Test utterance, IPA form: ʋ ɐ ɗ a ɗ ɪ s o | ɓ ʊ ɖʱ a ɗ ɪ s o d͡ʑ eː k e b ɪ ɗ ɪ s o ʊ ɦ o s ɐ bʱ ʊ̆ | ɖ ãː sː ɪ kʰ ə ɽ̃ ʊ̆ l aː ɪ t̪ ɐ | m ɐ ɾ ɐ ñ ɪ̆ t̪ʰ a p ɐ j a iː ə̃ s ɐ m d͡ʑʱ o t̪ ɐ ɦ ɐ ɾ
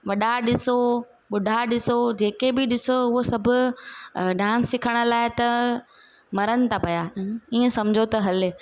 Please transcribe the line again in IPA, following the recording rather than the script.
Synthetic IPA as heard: ʋ ɐ ɗ a ɗ ɪ s o | ɓ ʊ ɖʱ a ɗ ɪ s o d͡ʑ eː k e b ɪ ɗ ɪ s o ʊ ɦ o s ɐ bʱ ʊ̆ | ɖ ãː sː ɪ kʰ ə ɽ̃ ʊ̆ l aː ɪ t̪ ɐ | m ɐ ɾ ə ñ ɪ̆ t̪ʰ a p ɐ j a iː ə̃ s ɐ m d͡ʑʱ o t̪ ɐ ɦ ɐ l